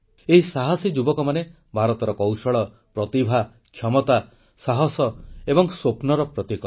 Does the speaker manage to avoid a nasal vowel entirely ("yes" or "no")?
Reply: yes